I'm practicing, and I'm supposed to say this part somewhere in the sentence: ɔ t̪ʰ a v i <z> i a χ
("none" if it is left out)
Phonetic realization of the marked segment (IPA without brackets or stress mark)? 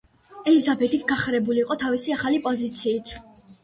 s